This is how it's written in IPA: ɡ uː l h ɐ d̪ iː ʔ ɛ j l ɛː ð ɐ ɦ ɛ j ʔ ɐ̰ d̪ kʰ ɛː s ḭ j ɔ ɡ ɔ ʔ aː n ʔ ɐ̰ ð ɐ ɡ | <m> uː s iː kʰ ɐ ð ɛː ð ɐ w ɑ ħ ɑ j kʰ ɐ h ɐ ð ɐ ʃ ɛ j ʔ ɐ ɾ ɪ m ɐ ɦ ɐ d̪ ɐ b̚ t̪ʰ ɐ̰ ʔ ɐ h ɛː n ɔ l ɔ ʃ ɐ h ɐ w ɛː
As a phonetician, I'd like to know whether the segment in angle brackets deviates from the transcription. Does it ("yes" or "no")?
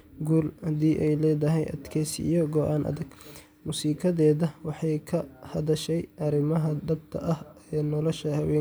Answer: no